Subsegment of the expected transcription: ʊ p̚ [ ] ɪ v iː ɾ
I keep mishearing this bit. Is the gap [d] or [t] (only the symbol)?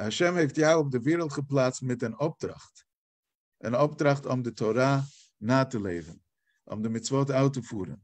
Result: d